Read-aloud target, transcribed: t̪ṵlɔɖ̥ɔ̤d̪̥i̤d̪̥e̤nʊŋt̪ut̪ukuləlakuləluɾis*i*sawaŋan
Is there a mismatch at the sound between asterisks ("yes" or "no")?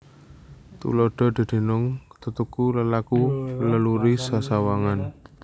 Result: yes